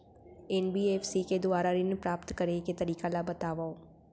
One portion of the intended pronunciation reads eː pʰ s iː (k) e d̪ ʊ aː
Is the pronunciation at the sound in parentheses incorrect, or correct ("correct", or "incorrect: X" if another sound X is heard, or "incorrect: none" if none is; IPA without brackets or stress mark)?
correct